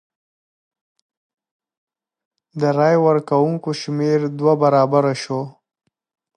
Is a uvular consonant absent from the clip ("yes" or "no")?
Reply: yes